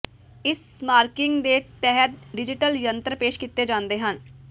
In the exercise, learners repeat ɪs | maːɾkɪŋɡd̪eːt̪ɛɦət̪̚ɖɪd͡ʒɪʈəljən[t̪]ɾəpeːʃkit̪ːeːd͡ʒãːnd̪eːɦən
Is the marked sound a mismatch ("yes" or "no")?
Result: no